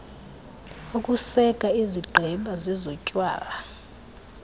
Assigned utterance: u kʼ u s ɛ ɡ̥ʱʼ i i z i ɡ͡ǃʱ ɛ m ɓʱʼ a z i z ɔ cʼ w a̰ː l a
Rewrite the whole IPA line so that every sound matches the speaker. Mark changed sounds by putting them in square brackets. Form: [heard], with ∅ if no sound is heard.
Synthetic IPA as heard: u kʼ u s ɛ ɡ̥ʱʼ [a] i z i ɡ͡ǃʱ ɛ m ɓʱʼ a z i z ɔ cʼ w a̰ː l a